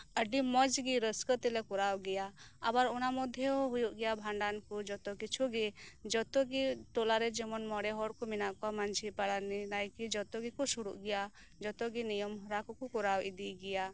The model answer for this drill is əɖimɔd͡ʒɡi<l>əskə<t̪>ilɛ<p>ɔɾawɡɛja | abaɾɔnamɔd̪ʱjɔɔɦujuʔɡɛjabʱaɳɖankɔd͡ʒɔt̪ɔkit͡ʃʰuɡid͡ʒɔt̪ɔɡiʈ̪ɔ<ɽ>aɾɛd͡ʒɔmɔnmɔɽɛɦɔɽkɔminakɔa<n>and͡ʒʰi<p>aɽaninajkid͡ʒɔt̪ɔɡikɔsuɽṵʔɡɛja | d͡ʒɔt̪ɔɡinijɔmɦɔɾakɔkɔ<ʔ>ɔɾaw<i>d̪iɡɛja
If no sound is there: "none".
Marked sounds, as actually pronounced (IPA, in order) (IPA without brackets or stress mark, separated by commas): ɾ, t̪, k, l, m, p, k, i